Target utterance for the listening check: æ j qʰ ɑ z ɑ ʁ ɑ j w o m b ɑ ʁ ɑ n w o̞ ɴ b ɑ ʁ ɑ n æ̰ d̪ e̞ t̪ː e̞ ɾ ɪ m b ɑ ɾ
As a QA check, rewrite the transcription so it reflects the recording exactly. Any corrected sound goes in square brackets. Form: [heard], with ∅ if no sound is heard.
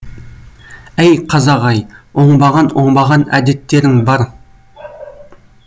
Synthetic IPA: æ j qʰ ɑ z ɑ ʁ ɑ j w o [ɴ] b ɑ ʁ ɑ n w o̞ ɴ b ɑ ʁ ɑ n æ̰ d̪ e̞ t̪ː e̞ ɾ ɪ [ŋ] b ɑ ɾ